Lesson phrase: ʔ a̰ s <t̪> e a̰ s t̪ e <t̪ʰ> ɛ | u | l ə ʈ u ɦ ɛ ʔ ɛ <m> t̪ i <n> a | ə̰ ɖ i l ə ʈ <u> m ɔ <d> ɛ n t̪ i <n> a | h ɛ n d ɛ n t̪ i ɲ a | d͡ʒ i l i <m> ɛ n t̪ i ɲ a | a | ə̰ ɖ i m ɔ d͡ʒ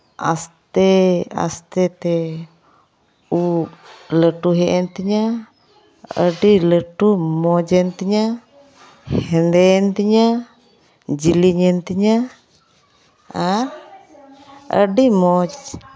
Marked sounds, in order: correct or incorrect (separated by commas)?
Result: correct, incorrect, incorrect, incorrect, correct, incorrect, incorrect, incorrect